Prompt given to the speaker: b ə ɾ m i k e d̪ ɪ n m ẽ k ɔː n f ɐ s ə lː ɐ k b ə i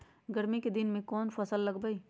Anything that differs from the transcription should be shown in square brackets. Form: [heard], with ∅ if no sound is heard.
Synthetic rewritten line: [ɡ] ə ɾ m i k e d̪ ɪ n m ẽ k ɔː n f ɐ s ə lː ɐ [ɡ] b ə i